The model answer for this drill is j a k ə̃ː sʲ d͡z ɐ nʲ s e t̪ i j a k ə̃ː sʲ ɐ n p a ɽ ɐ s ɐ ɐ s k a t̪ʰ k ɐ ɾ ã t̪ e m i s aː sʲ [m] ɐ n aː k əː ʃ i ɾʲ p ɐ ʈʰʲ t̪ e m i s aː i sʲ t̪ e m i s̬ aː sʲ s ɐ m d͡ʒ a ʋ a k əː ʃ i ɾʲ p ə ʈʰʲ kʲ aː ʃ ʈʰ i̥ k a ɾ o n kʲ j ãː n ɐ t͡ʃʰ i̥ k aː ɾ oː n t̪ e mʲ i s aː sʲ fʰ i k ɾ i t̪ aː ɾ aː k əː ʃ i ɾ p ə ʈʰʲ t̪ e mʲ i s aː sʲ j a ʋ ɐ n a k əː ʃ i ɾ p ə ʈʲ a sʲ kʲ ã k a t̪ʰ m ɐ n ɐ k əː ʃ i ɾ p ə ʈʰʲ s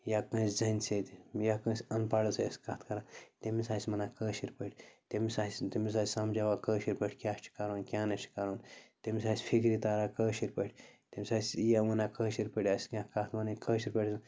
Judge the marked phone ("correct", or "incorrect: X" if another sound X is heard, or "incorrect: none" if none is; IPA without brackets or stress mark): correct